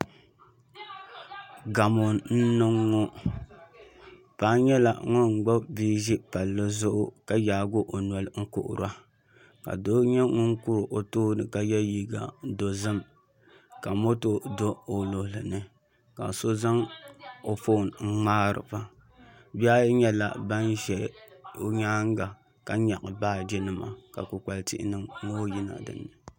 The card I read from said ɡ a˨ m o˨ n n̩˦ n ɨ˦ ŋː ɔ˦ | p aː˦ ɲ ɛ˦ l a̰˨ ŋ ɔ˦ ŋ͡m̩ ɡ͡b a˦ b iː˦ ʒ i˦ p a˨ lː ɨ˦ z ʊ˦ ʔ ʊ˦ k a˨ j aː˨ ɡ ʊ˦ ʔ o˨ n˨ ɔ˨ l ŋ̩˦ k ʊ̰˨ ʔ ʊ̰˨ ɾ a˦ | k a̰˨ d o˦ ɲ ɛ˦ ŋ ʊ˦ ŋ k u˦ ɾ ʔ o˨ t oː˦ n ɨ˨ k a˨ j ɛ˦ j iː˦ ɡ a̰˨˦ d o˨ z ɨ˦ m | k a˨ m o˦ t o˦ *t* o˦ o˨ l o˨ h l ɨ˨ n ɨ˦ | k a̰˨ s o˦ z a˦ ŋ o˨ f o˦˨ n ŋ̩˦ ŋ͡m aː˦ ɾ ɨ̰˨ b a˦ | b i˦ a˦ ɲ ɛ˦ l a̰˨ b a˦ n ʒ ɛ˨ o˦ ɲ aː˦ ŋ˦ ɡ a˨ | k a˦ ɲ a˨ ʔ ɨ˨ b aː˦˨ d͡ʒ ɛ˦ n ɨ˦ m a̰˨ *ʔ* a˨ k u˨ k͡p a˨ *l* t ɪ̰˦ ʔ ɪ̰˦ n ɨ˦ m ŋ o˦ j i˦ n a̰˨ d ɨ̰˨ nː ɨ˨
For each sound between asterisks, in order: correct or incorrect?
incorrect, incorrect, correct

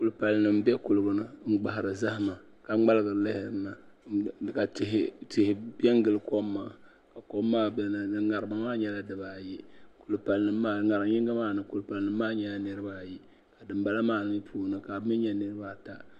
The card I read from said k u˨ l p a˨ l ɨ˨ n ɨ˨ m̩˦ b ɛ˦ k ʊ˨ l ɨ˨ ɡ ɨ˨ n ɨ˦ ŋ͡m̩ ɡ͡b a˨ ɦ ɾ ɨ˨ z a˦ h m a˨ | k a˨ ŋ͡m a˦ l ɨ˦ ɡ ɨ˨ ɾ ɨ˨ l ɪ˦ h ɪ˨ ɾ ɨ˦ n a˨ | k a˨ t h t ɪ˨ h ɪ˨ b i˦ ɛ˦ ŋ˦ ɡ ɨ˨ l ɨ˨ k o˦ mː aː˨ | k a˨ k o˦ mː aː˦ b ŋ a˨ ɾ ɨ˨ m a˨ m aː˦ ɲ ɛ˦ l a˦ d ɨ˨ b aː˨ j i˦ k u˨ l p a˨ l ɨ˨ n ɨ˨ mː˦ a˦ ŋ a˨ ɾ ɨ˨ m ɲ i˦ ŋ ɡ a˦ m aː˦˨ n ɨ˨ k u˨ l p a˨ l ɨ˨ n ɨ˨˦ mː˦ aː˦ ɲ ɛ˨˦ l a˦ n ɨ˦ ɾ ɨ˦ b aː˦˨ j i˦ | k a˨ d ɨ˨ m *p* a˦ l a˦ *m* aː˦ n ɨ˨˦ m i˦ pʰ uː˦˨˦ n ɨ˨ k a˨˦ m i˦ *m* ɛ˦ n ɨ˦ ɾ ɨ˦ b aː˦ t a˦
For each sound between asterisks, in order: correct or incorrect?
incorrect, correct, incorrect

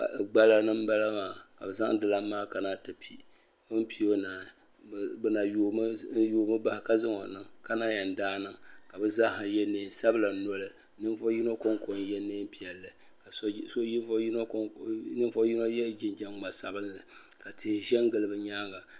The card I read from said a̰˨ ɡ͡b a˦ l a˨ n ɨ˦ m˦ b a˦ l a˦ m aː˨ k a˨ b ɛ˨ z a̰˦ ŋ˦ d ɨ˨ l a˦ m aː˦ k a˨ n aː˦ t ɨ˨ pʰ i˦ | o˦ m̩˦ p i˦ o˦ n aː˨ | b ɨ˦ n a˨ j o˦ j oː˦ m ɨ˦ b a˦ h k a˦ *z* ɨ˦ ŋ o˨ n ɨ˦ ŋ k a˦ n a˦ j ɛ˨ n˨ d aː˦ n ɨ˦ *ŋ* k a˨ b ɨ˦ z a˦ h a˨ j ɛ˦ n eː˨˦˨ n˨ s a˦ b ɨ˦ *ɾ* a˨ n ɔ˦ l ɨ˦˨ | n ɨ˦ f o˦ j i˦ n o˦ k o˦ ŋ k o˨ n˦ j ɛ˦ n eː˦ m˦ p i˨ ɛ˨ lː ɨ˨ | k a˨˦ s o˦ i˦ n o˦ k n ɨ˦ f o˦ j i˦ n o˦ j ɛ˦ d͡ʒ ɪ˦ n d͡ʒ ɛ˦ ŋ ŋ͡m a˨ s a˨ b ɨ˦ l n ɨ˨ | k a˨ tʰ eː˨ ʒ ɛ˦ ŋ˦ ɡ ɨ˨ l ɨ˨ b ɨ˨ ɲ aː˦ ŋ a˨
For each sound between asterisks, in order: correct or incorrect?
correct, correct, incorrect

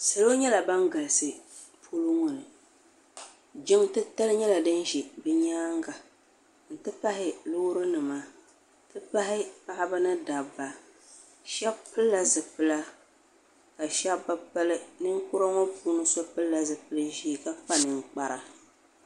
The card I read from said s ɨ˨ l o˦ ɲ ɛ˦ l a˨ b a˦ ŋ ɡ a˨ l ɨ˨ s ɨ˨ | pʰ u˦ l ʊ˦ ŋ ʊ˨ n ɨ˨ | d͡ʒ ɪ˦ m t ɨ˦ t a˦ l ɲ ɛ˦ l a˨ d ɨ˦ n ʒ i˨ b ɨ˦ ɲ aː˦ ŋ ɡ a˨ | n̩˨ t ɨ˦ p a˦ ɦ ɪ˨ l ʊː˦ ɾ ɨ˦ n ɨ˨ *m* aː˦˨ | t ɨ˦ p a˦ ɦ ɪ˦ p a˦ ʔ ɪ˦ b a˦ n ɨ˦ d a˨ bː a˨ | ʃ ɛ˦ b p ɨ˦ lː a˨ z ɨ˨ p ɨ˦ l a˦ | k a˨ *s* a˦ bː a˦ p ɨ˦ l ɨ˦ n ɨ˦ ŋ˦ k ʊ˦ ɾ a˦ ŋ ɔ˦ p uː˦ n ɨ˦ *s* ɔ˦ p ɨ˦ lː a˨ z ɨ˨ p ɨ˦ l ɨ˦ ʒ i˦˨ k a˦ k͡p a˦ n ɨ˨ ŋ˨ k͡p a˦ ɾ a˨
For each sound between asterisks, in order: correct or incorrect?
correct, incorrect, correct

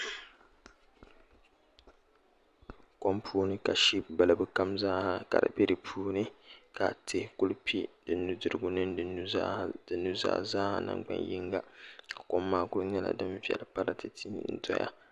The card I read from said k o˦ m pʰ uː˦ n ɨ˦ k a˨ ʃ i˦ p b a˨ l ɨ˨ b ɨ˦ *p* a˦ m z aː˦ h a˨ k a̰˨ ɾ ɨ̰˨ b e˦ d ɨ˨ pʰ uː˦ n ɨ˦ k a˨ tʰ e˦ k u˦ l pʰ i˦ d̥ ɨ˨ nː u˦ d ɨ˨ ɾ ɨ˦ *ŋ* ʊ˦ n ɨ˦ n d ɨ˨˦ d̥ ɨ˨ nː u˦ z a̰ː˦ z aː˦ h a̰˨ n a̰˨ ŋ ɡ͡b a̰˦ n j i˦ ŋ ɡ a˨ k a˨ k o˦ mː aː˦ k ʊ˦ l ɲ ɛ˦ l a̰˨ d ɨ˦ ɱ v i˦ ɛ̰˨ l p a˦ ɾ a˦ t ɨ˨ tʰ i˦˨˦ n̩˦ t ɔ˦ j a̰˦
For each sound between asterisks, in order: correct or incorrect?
incorrect, incorrect

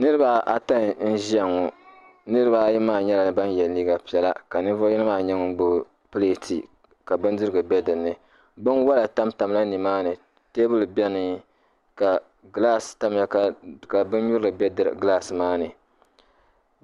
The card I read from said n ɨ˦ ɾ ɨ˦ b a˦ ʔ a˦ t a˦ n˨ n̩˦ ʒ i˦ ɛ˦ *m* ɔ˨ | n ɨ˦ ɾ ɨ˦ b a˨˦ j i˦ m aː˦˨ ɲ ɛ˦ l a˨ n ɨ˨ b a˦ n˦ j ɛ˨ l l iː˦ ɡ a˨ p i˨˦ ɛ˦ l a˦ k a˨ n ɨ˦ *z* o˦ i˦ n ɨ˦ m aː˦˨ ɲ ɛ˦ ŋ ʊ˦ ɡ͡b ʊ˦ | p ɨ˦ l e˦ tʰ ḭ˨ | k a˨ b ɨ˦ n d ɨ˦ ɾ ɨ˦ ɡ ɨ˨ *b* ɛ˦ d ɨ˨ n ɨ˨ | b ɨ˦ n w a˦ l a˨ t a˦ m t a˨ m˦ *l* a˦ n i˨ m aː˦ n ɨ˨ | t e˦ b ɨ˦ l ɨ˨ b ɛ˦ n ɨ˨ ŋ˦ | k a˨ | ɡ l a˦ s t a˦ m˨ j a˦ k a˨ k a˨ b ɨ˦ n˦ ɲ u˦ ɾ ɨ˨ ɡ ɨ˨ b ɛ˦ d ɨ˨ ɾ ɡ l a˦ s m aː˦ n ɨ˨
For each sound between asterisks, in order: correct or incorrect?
incorrect, incorrect, correct, correct

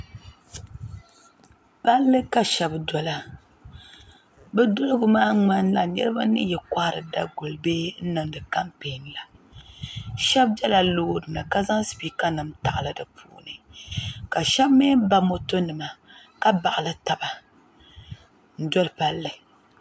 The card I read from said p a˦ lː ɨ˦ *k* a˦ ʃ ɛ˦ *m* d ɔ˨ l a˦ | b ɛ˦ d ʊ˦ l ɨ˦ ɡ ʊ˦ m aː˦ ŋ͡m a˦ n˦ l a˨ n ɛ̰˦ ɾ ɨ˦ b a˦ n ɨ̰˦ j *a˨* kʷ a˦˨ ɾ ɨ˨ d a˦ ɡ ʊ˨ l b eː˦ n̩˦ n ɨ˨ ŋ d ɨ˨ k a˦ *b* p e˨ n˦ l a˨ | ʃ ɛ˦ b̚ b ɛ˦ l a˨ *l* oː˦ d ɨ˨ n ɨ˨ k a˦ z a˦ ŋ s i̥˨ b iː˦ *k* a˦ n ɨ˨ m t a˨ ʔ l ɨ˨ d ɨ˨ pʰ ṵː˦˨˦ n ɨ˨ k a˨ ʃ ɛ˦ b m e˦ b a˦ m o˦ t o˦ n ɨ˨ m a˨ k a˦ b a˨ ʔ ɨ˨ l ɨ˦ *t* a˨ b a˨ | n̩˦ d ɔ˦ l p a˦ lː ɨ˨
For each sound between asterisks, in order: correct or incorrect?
correct, incorrect, incorrect, incorrect, correct, correct, correct

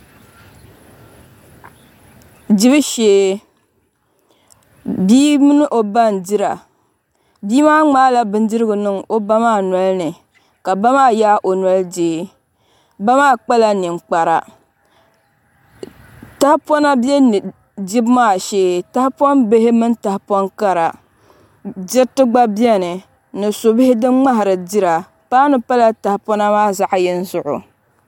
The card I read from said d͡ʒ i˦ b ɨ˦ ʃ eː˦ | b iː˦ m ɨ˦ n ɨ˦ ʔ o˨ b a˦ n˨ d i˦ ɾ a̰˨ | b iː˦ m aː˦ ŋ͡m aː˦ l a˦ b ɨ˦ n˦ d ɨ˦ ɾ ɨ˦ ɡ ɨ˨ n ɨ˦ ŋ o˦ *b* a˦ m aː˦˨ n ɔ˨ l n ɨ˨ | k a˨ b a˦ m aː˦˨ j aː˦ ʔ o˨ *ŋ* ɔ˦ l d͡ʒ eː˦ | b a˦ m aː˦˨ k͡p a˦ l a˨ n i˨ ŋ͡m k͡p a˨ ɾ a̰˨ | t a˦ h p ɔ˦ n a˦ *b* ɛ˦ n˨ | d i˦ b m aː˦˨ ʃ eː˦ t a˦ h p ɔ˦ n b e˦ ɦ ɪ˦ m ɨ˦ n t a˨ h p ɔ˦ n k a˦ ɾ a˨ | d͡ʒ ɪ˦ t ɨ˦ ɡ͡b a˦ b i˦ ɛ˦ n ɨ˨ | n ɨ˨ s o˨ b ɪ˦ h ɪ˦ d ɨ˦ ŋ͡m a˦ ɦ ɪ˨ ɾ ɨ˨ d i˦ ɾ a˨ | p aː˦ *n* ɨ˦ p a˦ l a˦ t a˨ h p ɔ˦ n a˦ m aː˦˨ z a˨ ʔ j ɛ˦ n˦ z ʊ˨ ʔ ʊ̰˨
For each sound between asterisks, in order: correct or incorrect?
correct, incorrect, correct, correct

